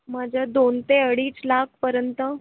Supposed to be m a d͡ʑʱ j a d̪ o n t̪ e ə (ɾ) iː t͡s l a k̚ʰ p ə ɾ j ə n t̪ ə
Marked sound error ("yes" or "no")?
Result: yes